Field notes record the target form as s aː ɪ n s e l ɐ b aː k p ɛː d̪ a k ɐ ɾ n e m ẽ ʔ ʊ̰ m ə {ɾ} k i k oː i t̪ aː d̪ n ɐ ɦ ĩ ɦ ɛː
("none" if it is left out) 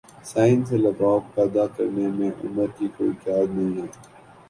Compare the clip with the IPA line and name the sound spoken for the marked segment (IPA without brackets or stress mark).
ɾ